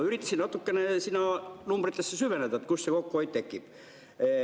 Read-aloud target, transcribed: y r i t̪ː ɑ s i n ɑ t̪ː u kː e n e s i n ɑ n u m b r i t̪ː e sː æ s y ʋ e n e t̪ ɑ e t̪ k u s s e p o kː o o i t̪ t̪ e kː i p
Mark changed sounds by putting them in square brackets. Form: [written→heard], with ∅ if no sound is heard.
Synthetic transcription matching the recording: y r i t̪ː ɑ s i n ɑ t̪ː u kː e n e s i n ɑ n u m b r i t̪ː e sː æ s y ʋ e n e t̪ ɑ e t̪ k u s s e [p→k] o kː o o i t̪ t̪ e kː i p